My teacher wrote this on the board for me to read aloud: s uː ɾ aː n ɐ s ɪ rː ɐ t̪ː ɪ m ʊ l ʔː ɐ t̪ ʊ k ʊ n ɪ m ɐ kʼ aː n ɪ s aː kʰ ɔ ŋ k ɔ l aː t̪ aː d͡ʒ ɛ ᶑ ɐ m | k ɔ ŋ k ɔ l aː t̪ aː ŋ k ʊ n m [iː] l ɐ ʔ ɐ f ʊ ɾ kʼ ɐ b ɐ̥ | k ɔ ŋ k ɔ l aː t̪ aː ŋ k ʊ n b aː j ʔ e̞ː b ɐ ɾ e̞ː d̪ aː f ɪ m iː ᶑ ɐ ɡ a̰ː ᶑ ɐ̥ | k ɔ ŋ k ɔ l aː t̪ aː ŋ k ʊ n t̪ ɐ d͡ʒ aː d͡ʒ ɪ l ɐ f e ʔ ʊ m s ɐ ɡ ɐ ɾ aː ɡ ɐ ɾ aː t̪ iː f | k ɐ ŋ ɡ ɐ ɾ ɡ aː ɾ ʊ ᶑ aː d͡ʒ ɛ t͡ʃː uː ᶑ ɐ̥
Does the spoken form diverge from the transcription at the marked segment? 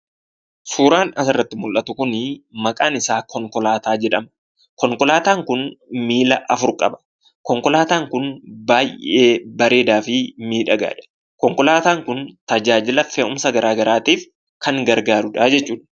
no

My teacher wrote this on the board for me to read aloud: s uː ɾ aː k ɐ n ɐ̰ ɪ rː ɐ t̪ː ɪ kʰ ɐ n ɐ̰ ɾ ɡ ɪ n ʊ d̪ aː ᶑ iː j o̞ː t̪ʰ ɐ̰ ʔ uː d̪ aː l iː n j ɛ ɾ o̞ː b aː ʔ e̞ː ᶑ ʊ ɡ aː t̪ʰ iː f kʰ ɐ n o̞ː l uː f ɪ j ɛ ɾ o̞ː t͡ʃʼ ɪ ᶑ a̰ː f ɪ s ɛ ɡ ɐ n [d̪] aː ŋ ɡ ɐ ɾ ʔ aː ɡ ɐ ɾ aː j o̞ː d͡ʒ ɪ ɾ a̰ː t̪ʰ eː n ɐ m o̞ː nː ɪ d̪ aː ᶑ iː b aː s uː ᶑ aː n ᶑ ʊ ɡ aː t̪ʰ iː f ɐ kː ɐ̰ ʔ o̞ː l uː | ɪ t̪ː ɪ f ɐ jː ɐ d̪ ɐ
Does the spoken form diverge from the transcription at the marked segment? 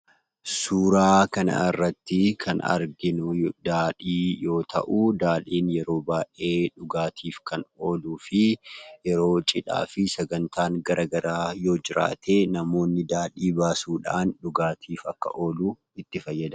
yes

